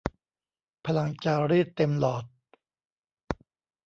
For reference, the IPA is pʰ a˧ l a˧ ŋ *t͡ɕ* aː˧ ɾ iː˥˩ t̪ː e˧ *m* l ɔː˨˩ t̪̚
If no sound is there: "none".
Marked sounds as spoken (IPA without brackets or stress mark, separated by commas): t͡ɕ, m